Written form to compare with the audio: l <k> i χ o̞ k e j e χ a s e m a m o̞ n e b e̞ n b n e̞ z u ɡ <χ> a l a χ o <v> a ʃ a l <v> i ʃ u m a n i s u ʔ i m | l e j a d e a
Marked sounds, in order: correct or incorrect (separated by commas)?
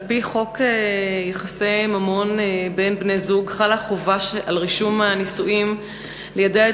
incorrect, correct, correct, incorrect